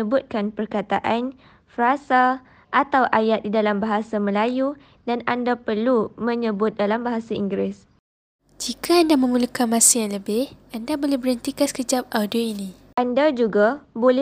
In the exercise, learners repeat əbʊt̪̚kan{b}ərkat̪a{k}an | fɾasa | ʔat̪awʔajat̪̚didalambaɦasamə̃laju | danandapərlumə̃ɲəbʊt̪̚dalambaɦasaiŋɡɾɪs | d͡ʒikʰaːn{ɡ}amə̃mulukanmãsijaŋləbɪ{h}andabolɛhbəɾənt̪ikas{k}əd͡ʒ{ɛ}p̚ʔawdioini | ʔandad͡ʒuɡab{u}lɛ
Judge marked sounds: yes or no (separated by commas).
no, no, no, yes, yes, no, no